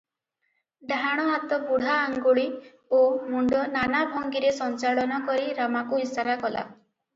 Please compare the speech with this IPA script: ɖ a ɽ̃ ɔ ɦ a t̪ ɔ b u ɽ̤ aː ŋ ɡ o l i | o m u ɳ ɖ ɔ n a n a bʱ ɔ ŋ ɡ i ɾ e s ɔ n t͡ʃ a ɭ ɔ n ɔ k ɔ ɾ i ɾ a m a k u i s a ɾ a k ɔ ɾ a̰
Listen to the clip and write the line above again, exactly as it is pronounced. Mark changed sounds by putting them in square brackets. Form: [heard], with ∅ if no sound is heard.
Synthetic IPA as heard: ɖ a ɽ̃ ɔ ɦ a t̪ ɔ b u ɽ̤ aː ŋ ɡ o [ɭ] i | o m u ɳ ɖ ɔ n a n a bʱ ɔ ŋ ɡ i ɾ e s ɔ n t͡ʃ a ɭ ɔ n ɔ k ɔ ɾ i ɾ a m a k u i s a ɾ a k ɔ [l] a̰